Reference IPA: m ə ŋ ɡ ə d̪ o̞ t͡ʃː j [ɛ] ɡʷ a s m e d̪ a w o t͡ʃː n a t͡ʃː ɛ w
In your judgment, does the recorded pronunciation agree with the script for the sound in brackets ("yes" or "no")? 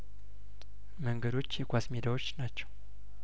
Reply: yes